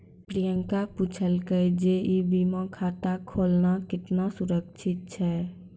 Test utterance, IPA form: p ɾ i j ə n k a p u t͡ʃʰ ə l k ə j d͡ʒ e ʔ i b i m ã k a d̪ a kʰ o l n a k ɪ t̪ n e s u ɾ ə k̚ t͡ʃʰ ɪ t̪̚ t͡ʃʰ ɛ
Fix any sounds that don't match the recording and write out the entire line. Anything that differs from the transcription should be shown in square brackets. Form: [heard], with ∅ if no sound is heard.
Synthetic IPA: p ɾ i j ə [ŋ] k a p u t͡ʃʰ ə l k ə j d͡ʒ e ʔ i b i m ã [kʰ] a [t̪] a kʰ o l n a k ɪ t̪ n [a] s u ɾ ə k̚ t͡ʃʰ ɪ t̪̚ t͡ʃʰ ɛ